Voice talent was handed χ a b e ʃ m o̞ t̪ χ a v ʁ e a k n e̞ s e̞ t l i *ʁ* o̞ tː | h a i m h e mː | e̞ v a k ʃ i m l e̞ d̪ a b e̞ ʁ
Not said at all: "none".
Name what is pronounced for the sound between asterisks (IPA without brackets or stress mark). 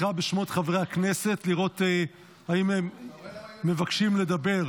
ʁ